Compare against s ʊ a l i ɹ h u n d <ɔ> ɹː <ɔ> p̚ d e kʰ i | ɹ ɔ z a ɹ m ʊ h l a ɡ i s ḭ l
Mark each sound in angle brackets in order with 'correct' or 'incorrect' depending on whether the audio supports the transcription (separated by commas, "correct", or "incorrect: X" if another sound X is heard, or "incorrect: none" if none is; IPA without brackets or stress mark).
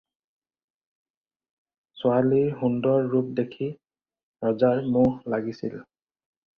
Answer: correct, incorrect: u